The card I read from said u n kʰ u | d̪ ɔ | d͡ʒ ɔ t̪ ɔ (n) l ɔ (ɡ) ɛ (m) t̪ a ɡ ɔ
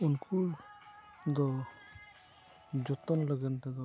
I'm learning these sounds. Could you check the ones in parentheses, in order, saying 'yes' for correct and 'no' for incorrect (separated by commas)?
yes, yes, no